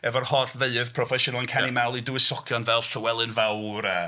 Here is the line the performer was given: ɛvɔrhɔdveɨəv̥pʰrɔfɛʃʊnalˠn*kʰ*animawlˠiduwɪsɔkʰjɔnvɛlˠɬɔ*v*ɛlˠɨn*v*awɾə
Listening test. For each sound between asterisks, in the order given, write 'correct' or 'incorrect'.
correct, incorrect, correct

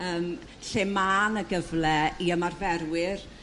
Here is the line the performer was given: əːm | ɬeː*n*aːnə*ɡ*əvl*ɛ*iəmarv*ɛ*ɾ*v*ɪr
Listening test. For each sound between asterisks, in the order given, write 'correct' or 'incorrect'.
incorrect, correct, correct, correct, incorrect

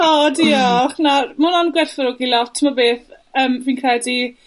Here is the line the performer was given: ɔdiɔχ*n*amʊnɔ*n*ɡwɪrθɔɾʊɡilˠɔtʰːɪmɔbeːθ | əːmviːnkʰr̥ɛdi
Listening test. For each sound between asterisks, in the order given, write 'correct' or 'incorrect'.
correct, correct

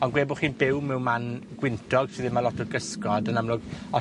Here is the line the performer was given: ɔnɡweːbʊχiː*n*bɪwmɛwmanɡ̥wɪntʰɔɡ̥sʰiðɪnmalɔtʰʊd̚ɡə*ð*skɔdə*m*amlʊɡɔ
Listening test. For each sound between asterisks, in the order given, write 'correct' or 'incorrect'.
correct, incorrect, incorrect

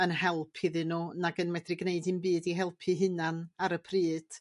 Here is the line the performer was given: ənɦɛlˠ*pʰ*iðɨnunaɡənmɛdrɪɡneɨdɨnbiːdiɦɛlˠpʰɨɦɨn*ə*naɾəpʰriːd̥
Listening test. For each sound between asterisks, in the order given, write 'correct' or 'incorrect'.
correct, incorrect

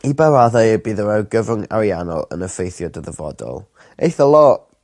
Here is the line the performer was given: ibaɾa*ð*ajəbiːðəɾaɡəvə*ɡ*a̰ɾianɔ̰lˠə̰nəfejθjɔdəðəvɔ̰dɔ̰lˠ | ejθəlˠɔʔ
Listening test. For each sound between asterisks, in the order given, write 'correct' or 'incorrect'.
correct, incorrect

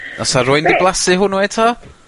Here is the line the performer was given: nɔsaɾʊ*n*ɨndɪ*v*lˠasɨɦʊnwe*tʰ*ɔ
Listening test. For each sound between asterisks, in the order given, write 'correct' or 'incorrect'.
incorrect, incorrect, correct

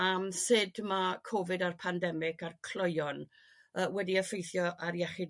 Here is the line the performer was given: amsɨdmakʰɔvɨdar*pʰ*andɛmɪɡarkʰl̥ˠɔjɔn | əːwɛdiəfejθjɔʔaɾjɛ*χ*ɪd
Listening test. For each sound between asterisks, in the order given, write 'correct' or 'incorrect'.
correct, correct

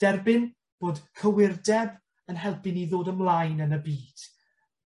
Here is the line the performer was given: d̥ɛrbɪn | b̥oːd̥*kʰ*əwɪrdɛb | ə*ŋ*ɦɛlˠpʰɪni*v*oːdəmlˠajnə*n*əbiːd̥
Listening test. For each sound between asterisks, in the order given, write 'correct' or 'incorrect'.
correct, incorrect, incorrect, correct

